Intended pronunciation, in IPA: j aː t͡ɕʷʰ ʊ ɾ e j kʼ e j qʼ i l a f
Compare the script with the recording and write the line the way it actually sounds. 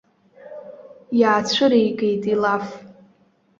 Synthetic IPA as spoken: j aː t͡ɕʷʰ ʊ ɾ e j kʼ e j tʼ i l a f